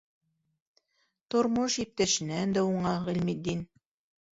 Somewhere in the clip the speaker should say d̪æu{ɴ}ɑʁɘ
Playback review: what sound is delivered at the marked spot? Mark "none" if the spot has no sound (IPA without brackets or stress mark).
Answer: ɴ